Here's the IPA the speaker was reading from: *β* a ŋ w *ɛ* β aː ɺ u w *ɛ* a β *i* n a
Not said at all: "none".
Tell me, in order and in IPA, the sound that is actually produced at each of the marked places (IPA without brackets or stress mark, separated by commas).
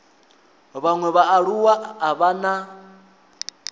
β, ɛ, a, a